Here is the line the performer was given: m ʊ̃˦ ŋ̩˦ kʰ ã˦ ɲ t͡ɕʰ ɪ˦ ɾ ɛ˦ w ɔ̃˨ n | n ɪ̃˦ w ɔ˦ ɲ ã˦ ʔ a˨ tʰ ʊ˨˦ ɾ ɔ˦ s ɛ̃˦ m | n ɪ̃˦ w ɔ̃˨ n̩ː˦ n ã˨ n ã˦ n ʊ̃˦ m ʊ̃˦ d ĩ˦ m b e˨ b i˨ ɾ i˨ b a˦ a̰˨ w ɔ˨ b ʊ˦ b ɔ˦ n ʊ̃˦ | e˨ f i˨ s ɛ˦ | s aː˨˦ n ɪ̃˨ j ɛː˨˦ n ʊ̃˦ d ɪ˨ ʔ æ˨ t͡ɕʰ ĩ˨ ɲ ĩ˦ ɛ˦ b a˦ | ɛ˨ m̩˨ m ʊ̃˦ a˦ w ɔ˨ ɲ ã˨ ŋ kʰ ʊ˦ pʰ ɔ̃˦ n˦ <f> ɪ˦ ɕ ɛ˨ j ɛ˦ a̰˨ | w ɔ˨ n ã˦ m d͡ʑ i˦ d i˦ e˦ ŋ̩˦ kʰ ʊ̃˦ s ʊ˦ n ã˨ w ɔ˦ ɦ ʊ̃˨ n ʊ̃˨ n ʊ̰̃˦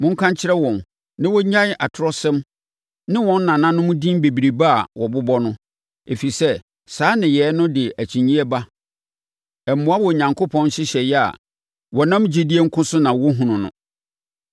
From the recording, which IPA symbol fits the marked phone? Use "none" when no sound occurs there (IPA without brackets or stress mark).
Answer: ɕ